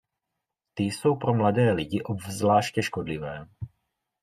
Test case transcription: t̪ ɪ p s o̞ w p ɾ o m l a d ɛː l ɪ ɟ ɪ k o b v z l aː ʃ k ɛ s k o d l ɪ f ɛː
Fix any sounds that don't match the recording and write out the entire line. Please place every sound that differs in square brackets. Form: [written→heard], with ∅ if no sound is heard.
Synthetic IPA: t̪ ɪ [p→∅] s o̞ w p ɾ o m l a d ɛː l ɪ ɟ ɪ [k→ʔ] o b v z l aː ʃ [k→c] ɛ [s→ʃ] k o d l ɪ [f→v] ɛː